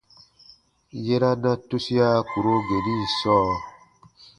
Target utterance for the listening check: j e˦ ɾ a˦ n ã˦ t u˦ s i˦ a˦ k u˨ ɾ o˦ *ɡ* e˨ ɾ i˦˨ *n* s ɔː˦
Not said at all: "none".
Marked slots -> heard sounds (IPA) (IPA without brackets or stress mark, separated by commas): ɡ, none